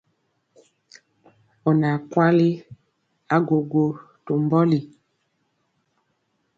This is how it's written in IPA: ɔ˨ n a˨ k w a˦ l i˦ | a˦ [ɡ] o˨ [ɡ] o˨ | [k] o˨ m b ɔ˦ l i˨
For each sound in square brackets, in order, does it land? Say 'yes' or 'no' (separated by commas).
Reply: yes, yes, no